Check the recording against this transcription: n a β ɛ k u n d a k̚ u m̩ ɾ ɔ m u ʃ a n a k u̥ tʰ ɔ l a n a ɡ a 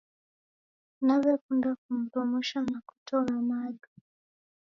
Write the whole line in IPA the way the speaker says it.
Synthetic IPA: n a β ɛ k u n d a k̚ u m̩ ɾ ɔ m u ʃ a n a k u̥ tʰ ɔ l a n a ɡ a